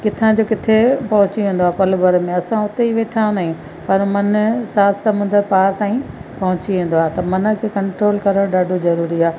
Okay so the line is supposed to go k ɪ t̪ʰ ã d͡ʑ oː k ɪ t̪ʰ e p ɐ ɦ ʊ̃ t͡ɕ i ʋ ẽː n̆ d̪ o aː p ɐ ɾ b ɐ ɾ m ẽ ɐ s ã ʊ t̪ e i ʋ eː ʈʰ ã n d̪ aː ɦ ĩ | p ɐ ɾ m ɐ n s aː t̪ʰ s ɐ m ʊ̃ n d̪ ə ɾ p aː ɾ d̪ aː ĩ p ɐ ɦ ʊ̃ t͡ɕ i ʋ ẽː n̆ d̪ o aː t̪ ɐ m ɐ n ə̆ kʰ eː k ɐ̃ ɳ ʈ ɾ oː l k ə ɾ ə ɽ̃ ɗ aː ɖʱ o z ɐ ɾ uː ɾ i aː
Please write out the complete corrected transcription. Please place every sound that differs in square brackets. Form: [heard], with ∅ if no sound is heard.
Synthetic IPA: k ɪ t̪ʰ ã d͡ʑ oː k ɪ t̪ʰ e p ɐ ɦ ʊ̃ t͡ɕ i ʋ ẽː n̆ d̪ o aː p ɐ [l] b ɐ ɾ m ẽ ɐ s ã ʊ t̪ e i ʋ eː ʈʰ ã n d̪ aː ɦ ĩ | p ɐ ɾ m ɐ n s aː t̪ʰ s ɐ m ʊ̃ n d̪ ə ɾ p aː ɾ [t̪] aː ĩ p ɐ ɦ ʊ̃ t͡ɕ i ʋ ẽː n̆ d̪ o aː t̪ ɐ m ɐ n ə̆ kʰ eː k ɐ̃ ɳ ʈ ɾ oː l k [ɐ] ɾ ə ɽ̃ ɗ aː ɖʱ o z ɐ ɾ uː ɾ i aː

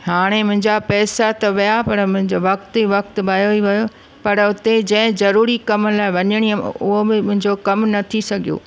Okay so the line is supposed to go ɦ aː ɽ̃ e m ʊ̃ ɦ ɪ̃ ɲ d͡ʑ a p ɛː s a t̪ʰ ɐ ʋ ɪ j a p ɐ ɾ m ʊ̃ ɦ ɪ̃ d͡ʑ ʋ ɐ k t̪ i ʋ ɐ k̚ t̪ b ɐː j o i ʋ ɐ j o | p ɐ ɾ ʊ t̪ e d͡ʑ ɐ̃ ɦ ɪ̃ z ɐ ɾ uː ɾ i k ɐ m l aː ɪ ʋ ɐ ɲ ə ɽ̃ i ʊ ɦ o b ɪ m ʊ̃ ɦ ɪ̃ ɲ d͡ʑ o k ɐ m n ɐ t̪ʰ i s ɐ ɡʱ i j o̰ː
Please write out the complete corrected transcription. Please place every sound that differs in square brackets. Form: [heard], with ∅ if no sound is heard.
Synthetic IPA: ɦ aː ɽ̃ e m ʊ̃ ɦ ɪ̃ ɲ d͡ʑ a p ɛː s a [t̪] ɐ ʋ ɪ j a p ɐ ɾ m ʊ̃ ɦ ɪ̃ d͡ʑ ʋ ɐ k t̪ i ʋ ɐ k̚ t̪ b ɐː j o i ʋ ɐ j o | p ɐ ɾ ʊ t̪ e d͡ʑ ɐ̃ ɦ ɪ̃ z ɐ ɾ uː ɾ i k ɐ m l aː ɪ ʋ ɐ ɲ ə ɽ̃ i ʊ ɦ o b ɪ m ʊ̃ ɦ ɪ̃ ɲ d͡ʑ o k ɐ m n ɐ t̪ʰ i s ɐ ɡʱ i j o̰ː

